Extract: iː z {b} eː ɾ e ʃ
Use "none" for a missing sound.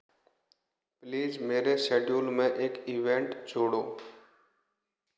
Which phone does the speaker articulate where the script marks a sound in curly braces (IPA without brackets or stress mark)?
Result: m